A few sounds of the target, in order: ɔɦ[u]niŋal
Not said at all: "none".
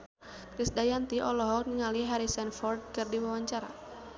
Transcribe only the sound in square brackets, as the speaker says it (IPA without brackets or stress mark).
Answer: ɔ